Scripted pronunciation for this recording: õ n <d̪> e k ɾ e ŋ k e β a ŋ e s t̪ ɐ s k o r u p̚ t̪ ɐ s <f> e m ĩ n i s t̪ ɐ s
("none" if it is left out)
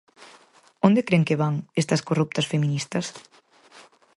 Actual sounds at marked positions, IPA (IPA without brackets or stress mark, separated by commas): d̪, f